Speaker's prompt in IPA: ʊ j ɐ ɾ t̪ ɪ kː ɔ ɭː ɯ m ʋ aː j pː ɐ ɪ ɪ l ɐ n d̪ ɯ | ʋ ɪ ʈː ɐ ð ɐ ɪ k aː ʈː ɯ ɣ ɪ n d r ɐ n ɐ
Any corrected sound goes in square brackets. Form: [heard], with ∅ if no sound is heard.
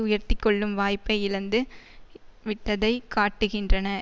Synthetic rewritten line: ʊ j ɐ ɾ t̪ ɪ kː ɔ ɭː ɯ m ʋ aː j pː ɐ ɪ ɪ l ɐ n d̪ ɯ | ʋ ɪ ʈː ɐ ð ɐ ɪ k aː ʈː ɯ ɣ ɪ n d r ɐ n ɐ